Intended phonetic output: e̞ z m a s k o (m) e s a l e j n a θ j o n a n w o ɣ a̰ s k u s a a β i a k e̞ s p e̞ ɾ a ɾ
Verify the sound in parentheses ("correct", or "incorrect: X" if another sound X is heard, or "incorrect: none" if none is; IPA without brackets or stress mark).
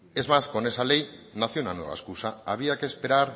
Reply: incorrect: n